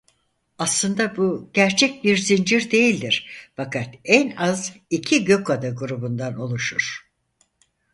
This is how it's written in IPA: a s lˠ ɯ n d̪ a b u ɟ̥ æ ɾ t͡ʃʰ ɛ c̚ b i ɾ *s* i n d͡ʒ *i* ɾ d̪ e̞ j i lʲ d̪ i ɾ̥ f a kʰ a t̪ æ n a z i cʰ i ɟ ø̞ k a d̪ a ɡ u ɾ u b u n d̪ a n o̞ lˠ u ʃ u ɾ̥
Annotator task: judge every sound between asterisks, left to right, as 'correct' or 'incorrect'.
incorrect, correct

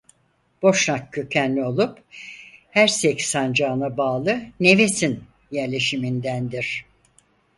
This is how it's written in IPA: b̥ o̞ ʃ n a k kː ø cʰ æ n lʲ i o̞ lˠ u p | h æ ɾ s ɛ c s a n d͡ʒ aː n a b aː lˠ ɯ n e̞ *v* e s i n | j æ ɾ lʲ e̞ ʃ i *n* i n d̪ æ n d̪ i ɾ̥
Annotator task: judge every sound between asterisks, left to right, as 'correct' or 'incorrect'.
correct, incorrect

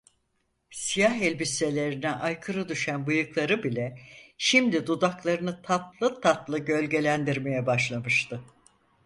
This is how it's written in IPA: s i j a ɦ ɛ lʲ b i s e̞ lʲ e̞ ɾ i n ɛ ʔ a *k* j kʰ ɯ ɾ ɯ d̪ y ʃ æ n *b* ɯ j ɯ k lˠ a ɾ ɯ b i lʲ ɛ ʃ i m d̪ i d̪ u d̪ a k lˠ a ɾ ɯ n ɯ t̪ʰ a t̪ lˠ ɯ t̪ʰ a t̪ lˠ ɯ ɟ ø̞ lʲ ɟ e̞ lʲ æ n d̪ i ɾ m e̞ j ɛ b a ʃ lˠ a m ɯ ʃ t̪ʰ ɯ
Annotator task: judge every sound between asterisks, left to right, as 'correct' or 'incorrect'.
incorrect, correct

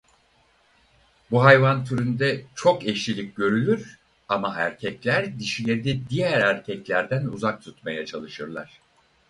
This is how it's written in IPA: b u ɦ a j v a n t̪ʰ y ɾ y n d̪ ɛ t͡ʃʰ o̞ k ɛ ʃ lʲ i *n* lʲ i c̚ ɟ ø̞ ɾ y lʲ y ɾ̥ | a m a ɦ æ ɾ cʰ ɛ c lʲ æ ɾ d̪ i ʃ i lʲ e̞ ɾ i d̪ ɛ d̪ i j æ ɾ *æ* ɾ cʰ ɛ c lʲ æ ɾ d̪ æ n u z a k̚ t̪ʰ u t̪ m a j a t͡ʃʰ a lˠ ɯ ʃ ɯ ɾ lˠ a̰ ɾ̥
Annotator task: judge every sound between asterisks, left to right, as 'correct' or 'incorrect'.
incorrect, correct

